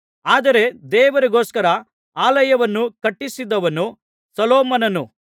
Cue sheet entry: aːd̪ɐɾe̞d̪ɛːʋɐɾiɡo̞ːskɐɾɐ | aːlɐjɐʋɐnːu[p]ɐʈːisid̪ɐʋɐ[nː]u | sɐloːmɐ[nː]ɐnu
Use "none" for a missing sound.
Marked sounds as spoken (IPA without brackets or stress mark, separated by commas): k, n, n